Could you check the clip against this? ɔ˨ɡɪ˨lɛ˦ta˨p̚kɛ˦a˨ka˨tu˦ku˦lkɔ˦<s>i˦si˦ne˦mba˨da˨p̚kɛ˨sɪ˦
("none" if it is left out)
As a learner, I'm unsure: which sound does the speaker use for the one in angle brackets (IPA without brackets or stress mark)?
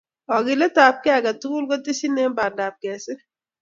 t